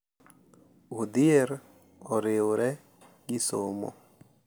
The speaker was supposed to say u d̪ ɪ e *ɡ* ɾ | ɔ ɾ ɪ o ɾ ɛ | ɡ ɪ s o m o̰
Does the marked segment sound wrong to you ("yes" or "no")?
yes